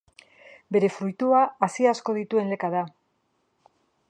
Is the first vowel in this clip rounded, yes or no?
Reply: no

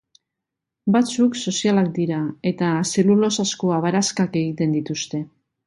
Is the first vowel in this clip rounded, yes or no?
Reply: no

